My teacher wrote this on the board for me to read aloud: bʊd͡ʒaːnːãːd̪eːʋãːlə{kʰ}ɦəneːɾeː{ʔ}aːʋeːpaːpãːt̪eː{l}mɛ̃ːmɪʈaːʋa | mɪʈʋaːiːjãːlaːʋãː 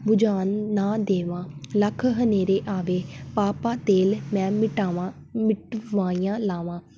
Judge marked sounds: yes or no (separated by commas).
yes, yes, yes